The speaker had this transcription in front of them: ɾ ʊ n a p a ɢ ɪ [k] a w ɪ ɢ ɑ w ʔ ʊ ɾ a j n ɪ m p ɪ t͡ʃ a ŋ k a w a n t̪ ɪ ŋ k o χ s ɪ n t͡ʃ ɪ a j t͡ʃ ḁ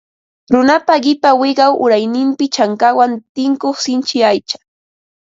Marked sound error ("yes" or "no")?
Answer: yes